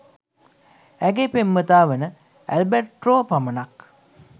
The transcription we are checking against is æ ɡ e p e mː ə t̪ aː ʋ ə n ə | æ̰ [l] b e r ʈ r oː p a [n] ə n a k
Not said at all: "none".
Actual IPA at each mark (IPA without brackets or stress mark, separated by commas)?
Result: l, m